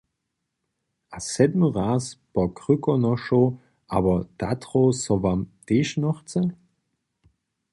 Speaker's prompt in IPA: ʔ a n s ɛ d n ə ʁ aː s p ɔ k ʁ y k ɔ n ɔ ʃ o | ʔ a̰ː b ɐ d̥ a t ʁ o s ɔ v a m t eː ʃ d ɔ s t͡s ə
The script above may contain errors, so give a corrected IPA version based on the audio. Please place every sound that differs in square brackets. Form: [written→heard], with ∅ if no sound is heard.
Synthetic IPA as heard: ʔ a [n→∅] s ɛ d [n→m] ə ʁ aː s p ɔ k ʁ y k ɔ n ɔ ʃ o | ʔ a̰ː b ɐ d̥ a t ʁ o s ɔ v a m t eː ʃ [d→n] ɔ [s→χ] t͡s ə